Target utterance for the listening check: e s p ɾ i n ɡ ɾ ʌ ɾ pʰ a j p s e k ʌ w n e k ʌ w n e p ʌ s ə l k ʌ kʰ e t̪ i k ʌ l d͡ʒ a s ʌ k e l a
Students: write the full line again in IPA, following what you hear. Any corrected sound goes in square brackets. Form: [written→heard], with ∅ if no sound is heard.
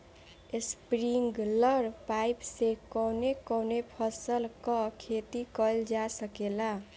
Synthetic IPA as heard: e s p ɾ i [n→ŋ] ɡ [ɾ→l] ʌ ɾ [pʰ→p] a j p s e k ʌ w n e k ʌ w n e [p→pʰ] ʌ s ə l k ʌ kʰ e t̪ i k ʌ l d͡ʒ a s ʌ k e l a